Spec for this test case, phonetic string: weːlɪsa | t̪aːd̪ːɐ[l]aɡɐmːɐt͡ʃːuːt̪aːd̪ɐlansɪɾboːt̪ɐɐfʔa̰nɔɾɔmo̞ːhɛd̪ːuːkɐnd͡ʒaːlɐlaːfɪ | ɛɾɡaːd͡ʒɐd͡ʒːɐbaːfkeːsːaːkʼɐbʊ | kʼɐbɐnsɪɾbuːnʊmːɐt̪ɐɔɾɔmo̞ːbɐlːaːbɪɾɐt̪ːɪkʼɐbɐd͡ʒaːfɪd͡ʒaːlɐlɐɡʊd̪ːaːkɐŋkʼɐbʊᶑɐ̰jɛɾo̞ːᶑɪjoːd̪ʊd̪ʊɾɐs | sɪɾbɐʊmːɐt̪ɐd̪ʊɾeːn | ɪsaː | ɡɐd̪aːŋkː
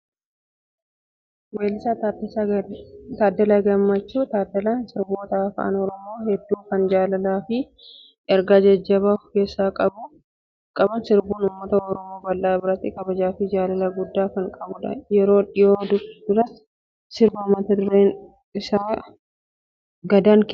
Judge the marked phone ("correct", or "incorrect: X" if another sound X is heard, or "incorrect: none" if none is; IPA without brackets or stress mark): correct